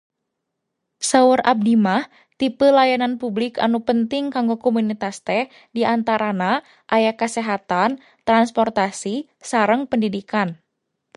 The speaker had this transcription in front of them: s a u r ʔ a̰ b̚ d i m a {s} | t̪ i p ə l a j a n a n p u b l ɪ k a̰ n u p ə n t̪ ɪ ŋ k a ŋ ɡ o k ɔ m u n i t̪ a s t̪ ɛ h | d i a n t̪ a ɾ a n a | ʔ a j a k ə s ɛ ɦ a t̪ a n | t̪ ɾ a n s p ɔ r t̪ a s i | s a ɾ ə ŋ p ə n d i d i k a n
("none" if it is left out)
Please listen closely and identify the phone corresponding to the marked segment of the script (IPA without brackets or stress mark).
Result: h